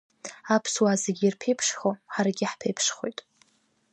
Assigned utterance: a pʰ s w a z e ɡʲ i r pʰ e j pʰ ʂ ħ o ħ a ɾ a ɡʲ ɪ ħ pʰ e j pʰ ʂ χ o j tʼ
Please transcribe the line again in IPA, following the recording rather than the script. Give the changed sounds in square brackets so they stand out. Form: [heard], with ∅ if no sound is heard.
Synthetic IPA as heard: a pʰ s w a z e ɡʲ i r pʰ e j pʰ ʂ [χ] o ħ a ɾ a ɡʲ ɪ ħ pʰ e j pʰ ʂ χ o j tʼ